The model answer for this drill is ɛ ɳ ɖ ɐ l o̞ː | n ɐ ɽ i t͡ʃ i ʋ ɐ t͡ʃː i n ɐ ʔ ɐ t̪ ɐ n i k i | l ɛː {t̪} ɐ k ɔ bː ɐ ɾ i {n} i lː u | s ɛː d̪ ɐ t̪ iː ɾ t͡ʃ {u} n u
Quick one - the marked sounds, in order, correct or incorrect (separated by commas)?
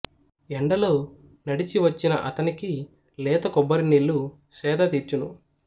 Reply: correct, correct, correct